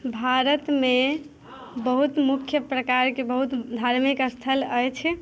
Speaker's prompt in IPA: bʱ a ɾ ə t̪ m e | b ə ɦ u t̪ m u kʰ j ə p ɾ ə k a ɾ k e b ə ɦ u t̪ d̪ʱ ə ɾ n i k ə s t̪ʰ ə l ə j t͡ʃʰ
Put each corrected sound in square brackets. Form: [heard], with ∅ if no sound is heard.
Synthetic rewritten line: bʱ a ɾ ə t̪ m e | b ə ɦ u t̪ m u kʰ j ə p ɾ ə k a ɾ k e b ə ɦ u t̪ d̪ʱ [a] ɾ [m] i k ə s t̪ʰ ə l ə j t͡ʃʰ